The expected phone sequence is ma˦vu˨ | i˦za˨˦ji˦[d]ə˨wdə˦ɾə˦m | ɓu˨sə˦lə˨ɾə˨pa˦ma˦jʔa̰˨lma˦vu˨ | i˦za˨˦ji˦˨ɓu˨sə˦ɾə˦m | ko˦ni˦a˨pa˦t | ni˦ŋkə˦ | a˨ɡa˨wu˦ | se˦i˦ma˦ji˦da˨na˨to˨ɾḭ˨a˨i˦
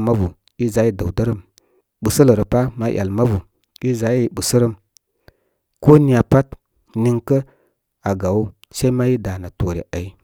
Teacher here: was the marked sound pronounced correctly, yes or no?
yes